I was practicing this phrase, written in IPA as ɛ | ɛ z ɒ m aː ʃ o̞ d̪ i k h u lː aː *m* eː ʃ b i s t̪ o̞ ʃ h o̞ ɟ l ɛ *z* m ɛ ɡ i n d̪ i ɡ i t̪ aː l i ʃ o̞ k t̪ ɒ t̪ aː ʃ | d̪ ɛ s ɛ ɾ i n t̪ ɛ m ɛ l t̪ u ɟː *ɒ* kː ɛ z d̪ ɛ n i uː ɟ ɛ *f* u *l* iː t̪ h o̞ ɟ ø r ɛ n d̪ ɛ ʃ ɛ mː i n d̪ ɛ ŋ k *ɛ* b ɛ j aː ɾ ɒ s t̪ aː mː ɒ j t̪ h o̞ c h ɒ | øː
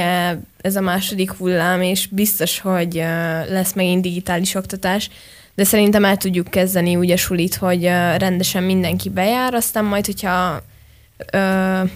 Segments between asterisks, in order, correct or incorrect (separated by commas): correct, incorrect, incorrect, incorrect, correct, incorrect